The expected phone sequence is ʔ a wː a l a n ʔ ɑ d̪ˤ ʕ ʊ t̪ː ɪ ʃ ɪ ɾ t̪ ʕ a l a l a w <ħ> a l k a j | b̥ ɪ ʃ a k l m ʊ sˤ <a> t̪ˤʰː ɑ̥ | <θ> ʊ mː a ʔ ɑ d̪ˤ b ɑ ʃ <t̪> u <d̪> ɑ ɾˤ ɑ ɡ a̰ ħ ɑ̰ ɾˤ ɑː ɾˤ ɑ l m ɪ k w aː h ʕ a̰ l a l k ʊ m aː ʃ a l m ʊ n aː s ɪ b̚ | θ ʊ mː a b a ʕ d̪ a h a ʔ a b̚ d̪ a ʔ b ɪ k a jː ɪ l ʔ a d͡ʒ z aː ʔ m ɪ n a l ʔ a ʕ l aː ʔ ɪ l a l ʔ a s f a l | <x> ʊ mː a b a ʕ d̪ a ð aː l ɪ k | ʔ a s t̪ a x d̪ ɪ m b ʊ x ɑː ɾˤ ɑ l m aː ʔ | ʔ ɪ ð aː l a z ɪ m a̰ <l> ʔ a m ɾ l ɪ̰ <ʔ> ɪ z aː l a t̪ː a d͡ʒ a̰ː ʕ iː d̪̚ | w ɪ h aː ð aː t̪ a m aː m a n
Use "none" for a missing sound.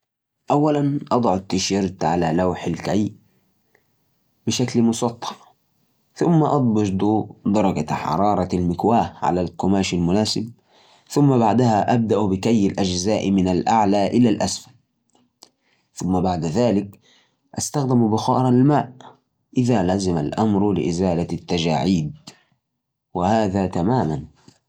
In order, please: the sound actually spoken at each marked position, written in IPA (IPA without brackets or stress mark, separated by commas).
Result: ħ, ɑ, θ, d̪, d̪, θ, l, ʔ